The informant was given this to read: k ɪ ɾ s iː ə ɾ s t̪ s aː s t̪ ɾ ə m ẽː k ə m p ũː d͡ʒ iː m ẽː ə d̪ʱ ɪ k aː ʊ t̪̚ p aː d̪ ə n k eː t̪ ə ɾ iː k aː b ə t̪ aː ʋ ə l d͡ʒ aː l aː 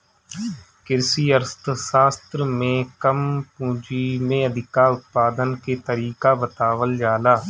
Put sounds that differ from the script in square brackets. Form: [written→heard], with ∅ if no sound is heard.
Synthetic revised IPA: k ɪ ɾ s iː ə ɾ s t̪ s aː s t̪ ɾ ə m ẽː k ə m p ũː d͡ʒ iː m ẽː ə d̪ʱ ɪ k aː ʊ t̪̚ p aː d̪ ə n k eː t̪ ə ɾ iː k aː b ə t̪ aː ʋ ə l d͡ʒ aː l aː